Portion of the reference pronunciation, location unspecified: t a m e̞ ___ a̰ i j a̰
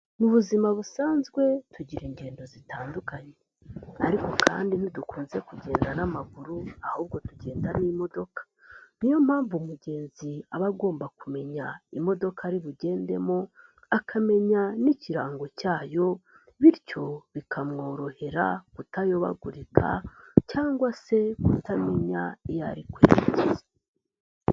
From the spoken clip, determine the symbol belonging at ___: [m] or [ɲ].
ɲ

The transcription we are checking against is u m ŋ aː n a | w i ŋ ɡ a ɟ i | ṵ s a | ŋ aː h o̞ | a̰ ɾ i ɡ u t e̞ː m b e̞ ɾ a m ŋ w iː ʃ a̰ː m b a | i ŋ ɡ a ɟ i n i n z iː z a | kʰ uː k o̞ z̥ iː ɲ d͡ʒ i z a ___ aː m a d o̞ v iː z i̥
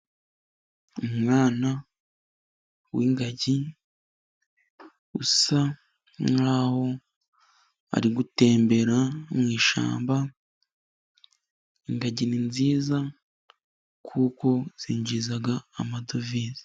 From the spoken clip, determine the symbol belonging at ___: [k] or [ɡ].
ɡ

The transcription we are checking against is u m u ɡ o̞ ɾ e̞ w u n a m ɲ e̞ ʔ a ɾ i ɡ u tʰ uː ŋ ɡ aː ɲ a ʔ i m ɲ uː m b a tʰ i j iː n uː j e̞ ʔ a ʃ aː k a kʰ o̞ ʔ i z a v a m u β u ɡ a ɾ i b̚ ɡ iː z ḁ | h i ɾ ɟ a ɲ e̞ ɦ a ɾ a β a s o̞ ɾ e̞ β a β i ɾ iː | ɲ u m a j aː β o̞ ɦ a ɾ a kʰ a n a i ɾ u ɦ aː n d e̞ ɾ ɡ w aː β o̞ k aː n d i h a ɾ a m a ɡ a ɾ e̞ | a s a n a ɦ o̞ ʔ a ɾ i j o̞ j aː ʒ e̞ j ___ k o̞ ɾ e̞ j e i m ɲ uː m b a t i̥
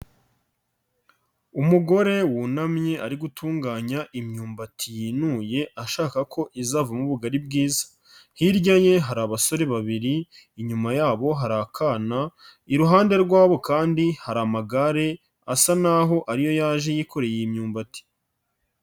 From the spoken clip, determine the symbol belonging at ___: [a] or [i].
i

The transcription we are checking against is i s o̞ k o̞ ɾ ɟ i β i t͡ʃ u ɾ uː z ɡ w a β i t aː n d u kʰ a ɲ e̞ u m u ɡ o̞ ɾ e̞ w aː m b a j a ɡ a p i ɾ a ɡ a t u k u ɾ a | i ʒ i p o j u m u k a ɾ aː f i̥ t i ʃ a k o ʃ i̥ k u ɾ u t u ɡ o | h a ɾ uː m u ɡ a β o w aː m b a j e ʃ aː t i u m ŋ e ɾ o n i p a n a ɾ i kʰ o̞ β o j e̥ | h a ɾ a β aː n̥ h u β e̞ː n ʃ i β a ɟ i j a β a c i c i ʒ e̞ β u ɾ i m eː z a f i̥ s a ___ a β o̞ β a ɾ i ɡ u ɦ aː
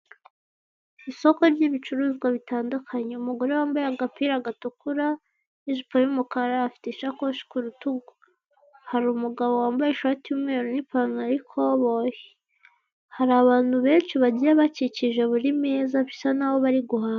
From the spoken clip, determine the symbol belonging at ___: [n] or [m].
n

